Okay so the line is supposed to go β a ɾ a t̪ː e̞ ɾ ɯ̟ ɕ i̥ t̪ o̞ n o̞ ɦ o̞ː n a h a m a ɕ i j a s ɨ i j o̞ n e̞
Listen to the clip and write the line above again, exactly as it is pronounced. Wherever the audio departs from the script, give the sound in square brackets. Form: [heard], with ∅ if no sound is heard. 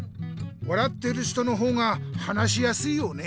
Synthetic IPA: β a ɾ a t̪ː e̞ ɾ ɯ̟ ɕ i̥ t̪ o̞ n o̞ ɦ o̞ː [ŋ] a h a [n] a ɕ i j a s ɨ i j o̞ n e̞